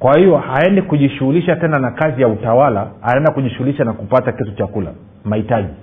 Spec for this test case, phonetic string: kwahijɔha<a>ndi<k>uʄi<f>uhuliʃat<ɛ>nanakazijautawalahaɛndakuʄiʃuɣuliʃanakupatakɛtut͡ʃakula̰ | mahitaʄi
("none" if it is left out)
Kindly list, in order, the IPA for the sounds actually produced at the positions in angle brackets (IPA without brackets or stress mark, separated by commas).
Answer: ɛ, k, ʃ, ɛ